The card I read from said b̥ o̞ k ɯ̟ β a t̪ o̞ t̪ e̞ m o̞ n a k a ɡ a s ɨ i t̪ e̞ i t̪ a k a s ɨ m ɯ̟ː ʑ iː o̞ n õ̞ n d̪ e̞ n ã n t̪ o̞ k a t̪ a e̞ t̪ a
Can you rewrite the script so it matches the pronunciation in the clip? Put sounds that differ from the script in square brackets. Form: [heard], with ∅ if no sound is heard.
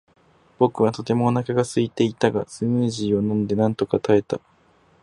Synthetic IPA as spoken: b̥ o̞ k ɯ̟ β a t̪ o̞ t̪ e̞ m o̞ n a k a ɡ a s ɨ i t̪ e̞ i t̪ a [ɡ] a s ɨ m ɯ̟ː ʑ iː o̞ n õ̞ n d̪ e̞ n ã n t̪ o̞ k a t̪ a e̞ t̪ a